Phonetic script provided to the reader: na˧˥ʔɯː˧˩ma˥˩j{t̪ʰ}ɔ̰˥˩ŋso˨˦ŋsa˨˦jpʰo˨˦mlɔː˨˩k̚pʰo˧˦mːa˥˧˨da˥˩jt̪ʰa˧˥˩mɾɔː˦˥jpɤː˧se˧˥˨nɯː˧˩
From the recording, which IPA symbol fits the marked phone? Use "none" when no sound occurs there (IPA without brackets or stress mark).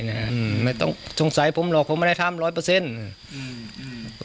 t̪